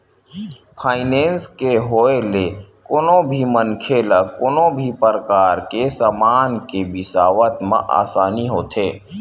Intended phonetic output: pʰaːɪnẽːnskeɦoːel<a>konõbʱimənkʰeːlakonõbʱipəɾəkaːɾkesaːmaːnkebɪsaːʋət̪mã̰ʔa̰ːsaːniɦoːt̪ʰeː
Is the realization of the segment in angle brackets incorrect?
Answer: yes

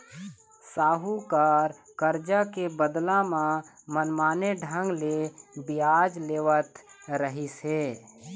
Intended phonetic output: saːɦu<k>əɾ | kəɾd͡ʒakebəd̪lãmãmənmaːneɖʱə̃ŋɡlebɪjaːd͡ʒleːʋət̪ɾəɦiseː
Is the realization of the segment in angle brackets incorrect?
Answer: no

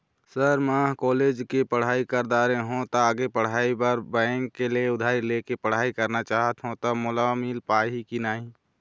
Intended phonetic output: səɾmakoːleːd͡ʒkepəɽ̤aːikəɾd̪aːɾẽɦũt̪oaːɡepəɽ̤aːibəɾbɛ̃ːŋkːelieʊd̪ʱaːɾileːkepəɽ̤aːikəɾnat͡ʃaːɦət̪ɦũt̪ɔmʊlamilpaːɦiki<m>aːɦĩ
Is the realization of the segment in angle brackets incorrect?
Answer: yes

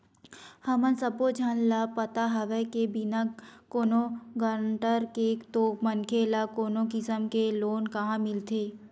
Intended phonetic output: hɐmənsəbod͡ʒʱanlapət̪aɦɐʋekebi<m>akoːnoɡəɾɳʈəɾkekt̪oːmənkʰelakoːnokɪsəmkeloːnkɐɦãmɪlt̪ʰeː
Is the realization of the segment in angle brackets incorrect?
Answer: yes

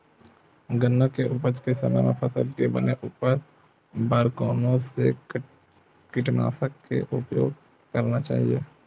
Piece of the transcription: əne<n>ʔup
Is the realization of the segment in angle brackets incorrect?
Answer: yes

